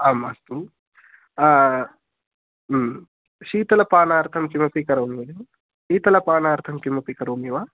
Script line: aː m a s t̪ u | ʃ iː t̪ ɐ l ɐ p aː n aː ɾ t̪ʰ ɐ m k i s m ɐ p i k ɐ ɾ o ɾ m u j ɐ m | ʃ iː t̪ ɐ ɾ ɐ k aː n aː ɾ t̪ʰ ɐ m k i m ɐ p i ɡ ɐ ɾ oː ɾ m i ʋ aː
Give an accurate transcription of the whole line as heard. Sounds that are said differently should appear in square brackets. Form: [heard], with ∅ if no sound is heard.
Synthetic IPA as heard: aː m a s t̪ u | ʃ iː t̪ ɐ l ɐ p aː n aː ɾ t̪ʰ ɐ m k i [∅] m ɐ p i k ɐ ɾ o [∅] m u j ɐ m | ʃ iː t̪ ɐ [l] ɐ [p] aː n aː ɾ t̪ʰ ɐ m k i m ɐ p i [k] ɐ ɾ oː [∅] m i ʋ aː